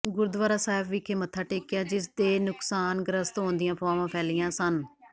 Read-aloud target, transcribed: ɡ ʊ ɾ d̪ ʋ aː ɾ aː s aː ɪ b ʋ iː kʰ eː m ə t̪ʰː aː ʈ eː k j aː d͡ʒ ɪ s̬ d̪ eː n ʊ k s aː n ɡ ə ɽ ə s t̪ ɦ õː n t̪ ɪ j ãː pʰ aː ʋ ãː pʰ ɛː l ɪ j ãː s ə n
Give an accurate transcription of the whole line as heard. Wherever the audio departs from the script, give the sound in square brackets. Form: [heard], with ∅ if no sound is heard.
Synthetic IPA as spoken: ɡ ʊ ɾ d̪ ʋ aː ɾ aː s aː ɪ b ʋ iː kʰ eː m ə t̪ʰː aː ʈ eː k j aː d͡ʒ ɪ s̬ d̪ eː n ʊ k s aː n ɡ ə [ɾ] ə s t̪ ɦ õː n [d̪] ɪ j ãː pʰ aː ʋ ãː pʰ ɛː l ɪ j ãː s ə n

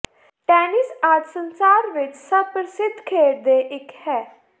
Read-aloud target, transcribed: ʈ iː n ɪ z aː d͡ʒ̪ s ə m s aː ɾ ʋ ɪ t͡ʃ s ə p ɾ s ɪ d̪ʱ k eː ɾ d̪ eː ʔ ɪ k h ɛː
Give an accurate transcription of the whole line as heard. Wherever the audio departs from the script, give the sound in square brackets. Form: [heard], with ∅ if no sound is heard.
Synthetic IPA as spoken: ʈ [ɛː] n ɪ [s] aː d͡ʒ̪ s ə [n] s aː ɾ ʋ ɪ t͡ʃ s ə p ɾ s ɪ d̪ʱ [kʰ] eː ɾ d̪ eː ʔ ɪ k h ɛː

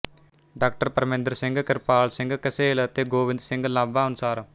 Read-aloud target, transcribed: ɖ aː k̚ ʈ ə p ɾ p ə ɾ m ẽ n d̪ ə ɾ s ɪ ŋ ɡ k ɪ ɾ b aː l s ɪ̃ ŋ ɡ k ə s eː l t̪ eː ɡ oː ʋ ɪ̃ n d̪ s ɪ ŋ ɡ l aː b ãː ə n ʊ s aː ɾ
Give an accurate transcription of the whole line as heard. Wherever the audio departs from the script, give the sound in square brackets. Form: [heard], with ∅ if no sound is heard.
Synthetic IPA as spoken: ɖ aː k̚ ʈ ə [∅] ɾ p ə ɾ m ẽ n d̪ ə ɾ s ɪ ŋ ɡ k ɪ ɾ [p] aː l s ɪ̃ ŋ ɡ k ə s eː l t̪ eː ɡ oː ʋ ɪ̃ n d̪ s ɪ ŋ ɡ l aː b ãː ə n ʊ s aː ɾ

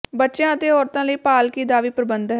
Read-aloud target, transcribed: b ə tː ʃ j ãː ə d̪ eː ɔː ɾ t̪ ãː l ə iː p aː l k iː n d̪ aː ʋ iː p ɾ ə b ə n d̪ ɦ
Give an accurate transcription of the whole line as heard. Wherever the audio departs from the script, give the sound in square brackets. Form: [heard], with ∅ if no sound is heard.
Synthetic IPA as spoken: b ə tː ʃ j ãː ə [t̪] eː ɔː ɾ t̪ ãː l ə iː p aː l k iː [∅] d̪ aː ʋ iː p ɾ ə b ə n d̪ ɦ

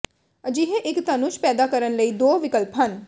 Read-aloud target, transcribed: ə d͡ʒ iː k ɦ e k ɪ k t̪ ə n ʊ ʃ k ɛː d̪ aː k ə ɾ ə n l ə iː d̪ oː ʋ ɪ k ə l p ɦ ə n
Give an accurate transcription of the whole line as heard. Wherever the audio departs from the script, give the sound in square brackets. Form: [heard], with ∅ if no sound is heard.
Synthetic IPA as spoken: ə d͡ʒ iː [∅] ɦ e [ʔ] ɪ k t̪ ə n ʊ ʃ [p] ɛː d̪ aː k ə ɾ ə n l ə iː d̪ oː ʋ ɪ k ə l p ɦ ə n

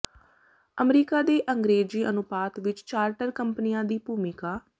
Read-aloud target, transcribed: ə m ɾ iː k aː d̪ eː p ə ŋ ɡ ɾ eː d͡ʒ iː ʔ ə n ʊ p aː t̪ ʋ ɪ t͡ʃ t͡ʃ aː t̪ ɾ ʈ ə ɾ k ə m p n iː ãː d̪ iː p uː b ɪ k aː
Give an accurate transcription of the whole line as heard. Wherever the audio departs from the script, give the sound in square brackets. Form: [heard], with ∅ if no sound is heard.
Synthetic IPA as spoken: ə m ɾ iː k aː d̪ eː [ʔ] ə ŋ ɡ ɾ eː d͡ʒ iː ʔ ə n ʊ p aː t̪ ʋ ɪ t͡ʃ t͡ʃ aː [∅] ɾ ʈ ə ɾ k ə m p n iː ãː d̪ iː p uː [m] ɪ k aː

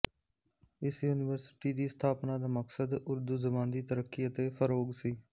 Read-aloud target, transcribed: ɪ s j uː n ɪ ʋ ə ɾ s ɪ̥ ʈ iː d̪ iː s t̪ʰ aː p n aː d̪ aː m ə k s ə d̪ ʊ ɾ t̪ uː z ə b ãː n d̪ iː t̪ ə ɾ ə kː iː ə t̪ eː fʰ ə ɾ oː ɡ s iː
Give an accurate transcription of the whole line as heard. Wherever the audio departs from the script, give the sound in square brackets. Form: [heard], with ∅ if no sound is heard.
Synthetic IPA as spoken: ɪ s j uː n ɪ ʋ ə ɾ s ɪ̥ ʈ iː d̪ iː s t̪ʰ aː p n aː d̪ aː m ə k s ə d̪ ʊ ɾ [d̪] uː z ə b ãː n d̪ iː t̪ ə ɾ ə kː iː ə t̪ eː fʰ ə ɾ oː ɡ s iː

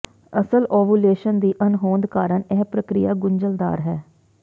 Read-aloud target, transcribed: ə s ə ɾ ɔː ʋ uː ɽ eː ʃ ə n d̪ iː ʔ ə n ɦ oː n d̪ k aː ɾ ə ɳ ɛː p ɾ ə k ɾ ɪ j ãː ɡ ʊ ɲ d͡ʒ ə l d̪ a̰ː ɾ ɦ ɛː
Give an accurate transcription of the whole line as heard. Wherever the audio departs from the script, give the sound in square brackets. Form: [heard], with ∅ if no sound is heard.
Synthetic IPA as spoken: ə s ə [l] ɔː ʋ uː [l] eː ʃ ə n d̪ iː ʔ ə n ɦ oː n d̪ k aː ɾ ə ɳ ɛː p ɾ ə k ɾ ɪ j [aː] ɡ ʊ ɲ d͡ʒ ə l d̪ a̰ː ɾ ɦ ɛː

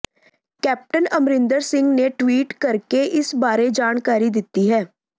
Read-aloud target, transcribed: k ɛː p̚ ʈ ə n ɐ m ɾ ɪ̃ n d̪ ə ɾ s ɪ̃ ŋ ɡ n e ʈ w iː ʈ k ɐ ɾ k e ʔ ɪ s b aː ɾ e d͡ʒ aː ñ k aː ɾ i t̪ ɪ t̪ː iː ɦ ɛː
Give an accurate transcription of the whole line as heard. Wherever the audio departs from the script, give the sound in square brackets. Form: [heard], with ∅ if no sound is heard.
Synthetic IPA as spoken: k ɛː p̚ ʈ ə n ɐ m ɾ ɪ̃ n d̪ ə ɾ s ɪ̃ ŋ ɡ n e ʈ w iː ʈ k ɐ ɾ k e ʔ ɪ s b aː ɾ e d͡ʒ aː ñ k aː ɾ i [d̪] ɪ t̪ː [i] ɦ ɛː

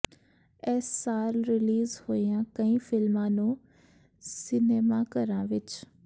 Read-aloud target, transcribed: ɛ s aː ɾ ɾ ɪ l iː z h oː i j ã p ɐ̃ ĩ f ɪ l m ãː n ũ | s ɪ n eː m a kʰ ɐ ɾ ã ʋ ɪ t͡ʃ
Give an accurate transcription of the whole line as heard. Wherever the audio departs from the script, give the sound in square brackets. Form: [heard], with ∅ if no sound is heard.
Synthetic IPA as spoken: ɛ s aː ɾ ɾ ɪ l iː z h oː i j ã [k] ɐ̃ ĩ f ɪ l m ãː n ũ | s ɪ n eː m a [k] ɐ ɾ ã ʋ ɪ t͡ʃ

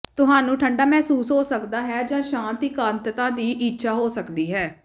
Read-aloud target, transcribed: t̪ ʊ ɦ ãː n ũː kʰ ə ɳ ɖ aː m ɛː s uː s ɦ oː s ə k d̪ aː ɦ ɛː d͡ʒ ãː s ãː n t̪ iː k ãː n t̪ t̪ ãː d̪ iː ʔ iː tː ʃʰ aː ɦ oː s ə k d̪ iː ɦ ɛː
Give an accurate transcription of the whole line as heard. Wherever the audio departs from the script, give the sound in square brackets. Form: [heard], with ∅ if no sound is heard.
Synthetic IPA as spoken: t̪ ʊ ɦ [aː] n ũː [ʈʰ] ə ɳ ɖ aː m ɛː s uː s ɦ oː s ə k d̪ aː ɦ ɛː d͡ʒ ãː [ʃ] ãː n t̪ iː k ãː n t̪ t̪ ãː d̪ iː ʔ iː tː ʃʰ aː ɦ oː s ə k d̪ iː ɦ ɛː

